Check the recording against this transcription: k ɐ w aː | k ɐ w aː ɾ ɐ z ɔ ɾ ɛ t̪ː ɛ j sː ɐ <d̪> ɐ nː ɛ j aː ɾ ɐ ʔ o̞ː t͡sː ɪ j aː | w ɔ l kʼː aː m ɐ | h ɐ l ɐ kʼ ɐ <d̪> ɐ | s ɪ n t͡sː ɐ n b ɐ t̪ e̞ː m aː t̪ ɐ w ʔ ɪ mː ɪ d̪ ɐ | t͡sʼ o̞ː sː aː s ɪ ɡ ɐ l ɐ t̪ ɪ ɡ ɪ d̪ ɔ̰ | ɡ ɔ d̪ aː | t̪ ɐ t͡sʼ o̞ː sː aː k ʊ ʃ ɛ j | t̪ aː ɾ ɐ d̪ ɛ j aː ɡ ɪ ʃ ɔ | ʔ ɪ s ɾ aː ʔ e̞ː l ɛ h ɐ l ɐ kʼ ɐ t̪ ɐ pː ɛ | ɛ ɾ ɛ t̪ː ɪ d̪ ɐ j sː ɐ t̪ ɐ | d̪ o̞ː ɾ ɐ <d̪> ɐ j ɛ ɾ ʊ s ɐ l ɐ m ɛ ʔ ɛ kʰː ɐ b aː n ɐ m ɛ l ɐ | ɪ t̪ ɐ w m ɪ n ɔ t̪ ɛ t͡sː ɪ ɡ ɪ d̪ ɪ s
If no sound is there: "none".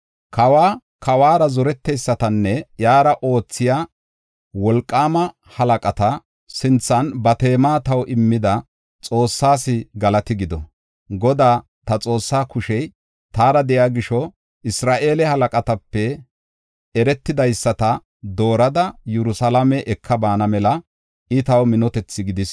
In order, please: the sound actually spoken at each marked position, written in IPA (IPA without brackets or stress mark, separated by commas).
t̪, t̪, d̪